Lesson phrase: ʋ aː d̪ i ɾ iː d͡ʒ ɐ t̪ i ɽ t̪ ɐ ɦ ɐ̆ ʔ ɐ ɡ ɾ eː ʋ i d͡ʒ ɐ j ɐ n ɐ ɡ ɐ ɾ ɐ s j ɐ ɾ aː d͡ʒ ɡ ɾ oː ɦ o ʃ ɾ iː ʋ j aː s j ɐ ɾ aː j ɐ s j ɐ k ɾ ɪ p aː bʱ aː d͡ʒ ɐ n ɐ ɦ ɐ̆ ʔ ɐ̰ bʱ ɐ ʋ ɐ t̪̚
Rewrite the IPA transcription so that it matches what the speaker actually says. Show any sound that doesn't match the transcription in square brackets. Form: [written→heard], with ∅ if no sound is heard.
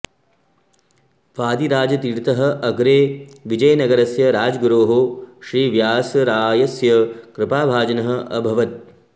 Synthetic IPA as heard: ʋ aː d̪ i ɾ [iː→aː] d͡ʒ ɐ t̪ i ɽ t̪ ɐ ɦ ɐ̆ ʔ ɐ ɡ ɾ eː ʋ i d͡ʒ ɐ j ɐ n ɐ ɡ ɐ ɾ ɐ s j ɐ ɾ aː d͡ʒ ɡ ɾ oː ɦ o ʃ ɾ iː ʋ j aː s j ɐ ɾ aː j ɐ s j ɐ k ɾ ɪ p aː bʱ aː d͡ʒ ɐ n ɐ ɦ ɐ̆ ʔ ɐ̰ bʱ ɐ ʋ ɐ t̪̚